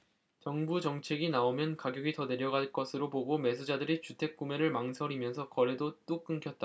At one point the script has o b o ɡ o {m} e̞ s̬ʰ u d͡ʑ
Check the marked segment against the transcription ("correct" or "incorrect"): correct